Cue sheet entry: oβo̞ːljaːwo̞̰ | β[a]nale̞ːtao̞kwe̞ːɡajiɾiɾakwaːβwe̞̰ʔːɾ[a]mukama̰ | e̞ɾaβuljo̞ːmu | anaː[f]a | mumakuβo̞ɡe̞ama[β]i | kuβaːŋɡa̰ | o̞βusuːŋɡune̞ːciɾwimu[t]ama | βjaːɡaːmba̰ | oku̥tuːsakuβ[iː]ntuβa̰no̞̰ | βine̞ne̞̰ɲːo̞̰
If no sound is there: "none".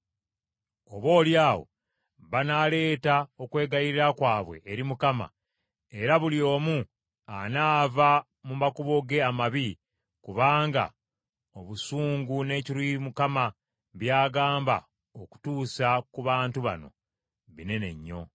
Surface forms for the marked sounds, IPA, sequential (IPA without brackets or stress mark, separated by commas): a, i, v, β, k, aː